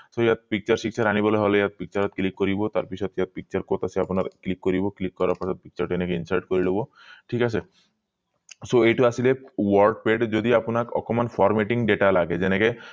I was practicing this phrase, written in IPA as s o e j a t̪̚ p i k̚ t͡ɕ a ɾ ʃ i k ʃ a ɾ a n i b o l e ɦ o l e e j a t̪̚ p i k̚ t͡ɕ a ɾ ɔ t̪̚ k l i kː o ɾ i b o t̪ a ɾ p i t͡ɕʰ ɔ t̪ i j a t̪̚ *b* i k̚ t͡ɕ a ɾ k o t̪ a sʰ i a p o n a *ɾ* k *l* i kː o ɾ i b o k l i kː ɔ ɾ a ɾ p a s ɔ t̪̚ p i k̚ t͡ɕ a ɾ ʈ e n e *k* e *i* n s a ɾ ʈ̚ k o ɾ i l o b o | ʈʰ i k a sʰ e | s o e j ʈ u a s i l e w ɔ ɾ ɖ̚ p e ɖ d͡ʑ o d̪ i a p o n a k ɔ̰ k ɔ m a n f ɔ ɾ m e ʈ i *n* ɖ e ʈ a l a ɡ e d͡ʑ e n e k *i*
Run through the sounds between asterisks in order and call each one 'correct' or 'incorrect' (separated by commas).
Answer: incorrect, correct, correct, correct, correct, incorrect, incorrect